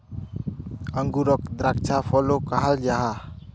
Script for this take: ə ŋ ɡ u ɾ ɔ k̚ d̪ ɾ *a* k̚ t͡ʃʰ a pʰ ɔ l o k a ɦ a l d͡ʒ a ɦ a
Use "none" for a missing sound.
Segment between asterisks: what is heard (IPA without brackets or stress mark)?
a